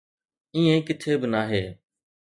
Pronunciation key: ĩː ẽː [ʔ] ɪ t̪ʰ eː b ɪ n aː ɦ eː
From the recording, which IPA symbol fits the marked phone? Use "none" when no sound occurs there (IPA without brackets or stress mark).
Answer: k